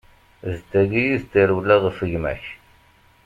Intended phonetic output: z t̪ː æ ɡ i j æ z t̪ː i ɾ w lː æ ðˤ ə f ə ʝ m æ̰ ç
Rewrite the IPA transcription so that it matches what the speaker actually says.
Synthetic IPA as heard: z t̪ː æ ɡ i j i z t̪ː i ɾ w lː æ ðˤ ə f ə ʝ m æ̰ ç